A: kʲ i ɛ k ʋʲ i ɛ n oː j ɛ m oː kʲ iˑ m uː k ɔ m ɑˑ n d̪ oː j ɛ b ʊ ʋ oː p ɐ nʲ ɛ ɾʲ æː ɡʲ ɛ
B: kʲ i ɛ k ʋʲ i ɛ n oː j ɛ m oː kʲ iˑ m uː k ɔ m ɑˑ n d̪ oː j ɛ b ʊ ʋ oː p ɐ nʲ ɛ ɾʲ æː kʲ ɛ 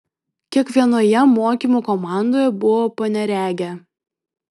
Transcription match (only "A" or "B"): A